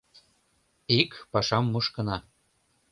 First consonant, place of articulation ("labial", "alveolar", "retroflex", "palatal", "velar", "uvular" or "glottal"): velar